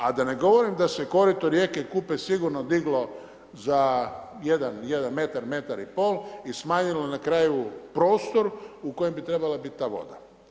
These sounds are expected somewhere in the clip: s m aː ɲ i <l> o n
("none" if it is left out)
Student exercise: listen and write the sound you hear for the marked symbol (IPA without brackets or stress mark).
l